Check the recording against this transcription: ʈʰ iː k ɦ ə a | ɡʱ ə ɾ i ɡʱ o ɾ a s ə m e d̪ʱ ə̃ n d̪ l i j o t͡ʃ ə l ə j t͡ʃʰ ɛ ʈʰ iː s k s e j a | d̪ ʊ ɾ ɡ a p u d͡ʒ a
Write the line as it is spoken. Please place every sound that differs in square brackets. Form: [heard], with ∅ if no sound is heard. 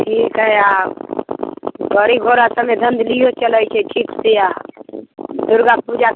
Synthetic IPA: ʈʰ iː k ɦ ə a | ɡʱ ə ɾ i ɡʱ o ɾ a s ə m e d̪ʱ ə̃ n d̪ l i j o t͡ʃ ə l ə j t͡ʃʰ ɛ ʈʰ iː [∅] k s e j a | d̪ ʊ ɾ ɡ a p u d͡ʒ a